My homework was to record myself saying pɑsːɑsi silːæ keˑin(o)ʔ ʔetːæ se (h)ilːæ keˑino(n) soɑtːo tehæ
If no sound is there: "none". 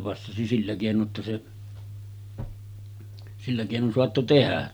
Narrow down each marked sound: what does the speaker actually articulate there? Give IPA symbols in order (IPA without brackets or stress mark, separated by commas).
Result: o, s, n